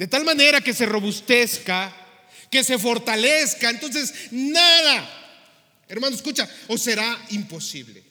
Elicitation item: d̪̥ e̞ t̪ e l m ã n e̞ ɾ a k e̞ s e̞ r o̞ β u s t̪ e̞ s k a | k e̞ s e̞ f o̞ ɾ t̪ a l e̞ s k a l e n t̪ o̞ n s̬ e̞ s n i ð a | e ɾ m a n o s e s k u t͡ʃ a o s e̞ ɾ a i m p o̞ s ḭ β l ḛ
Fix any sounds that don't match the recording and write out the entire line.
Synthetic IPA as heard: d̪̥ e̞ t̪ a l m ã n e̞ ɾ a k e̞ s e̞ r o̞ β u s t̪ e̞ s k a | k e̞ s e̞ f o̞ ɾ t̪ a l e̞ s k a e n t̪ o̞ n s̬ e̞ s n a ð a | e ɾ m a n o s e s k u t͡ʃ a o s e̞ ɾ a i m p o̞ s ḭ β l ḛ